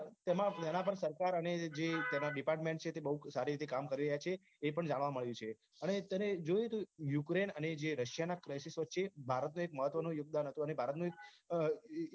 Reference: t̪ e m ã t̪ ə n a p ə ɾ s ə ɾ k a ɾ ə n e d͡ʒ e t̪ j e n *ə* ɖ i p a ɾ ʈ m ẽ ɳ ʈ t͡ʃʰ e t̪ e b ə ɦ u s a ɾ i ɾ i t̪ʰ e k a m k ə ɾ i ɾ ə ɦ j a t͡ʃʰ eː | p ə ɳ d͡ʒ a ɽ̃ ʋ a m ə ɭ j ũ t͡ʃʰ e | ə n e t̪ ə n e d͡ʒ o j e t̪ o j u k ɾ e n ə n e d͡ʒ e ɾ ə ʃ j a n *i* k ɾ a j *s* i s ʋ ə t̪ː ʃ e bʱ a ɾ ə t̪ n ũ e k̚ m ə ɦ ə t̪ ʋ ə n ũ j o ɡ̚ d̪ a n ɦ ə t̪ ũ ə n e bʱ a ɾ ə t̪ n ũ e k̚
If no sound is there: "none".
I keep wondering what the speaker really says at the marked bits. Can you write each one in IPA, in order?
a, a, s

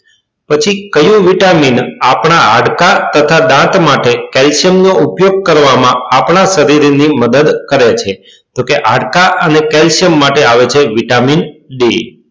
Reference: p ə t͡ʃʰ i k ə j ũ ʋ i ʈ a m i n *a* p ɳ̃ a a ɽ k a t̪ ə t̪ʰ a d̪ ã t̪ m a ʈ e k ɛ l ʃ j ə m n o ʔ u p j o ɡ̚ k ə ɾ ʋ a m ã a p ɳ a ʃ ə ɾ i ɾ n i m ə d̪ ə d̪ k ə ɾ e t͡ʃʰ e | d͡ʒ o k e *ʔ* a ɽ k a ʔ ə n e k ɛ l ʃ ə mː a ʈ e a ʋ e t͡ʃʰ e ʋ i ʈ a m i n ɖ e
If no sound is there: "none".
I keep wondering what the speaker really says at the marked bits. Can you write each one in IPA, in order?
a, ʔ

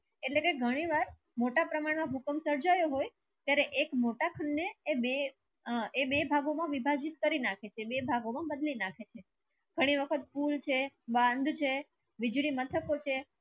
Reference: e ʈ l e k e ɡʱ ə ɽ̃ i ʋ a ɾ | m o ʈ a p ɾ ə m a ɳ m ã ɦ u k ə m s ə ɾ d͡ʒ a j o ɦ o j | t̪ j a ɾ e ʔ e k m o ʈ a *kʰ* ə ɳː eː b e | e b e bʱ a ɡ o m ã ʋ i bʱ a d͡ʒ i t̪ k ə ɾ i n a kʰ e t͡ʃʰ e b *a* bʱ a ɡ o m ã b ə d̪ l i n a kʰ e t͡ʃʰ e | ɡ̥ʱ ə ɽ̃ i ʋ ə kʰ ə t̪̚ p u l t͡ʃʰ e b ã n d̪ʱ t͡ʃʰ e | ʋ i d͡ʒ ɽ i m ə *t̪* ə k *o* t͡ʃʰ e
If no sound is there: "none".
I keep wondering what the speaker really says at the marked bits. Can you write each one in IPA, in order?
kʰ, e, t̪ʰ, o

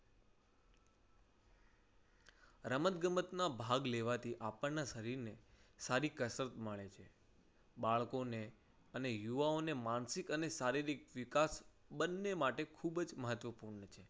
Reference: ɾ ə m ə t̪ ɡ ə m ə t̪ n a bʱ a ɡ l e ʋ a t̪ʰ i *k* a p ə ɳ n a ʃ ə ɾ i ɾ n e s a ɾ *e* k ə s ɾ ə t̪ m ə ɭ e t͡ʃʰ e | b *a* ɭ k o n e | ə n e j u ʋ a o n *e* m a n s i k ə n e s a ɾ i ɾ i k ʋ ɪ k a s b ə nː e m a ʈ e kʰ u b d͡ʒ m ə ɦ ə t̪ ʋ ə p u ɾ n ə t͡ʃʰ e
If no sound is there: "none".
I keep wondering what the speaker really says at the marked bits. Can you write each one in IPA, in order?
ʔ, i, a, e

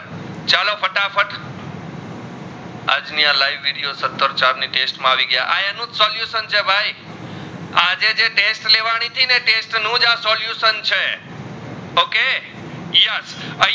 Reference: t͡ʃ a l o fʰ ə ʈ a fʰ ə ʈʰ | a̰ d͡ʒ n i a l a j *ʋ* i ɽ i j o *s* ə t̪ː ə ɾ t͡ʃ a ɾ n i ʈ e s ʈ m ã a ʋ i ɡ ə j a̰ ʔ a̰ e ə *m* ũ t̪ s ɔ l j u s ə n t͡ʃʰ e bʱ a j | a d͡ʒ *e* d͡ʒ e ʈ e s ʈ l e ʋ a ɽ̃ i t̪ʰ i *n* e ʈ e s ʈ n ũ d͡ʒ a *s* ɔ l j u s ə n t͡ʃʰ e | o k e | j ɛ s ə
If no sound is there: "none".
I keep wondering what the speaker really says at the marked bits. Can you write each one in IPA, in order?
ʋː, s, n, e, n, s

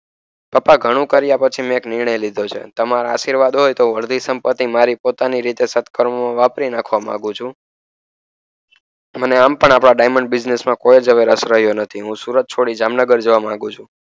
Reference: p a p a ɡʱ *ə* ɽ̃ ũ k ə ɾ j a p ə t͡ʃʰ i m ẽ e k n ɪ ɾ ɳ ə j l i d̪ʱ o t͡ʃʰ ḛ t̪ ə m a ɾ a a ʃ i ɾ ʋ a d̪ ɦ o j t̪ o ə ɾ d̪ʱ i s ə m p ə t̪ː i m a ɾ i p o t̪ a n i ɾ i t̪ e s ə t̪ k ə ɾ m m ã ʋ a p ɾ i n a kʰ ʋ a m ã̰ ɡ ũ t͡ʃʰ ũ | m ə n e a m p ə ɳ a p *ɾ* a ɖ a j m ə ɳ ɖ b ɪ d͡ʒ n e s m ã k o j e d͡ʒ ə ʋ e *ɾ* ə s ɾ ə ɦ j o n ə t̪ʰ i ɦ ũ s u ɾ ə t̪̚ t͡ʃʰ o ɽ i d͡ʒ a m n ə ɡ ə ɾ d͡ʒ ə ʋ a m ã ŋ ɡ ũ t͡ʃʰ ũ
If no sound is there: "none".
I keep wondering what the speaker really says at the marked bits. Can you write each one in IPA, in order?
ə, ɽ, ɾ

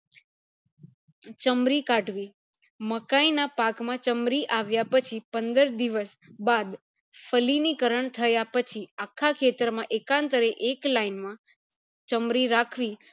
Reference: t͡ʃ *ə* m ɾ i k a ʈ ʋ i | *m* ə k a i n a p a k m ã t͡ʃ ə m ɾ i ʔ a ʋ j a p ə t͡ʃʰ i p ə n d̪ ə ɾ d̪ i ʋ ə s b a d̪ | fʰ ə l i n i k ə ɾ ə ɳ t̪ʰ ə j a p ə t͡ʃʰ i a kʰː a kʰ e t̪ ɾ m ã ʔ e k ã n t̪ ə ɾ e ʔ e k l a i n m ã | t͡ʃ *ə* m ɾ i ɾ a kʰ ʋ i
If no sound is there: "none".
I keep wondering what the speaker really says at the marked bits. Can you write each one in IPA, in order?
ə, m, ə

